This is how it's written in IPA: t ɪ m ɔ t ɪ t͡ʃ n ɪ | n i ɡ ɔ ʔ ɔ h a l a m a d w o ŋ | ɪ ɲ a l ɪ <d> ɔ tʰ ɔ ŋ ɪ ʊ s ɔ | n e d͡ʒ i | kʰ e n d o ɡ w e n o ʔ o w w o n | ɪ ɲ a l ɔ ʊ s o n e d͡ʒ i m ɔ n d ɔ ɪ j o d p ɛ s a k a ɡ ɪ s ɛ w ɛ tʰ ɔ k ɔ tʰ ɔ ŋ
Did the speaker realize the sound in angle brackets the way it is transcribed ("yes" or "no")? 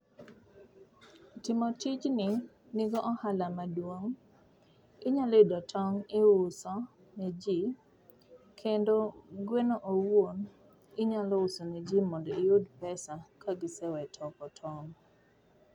yes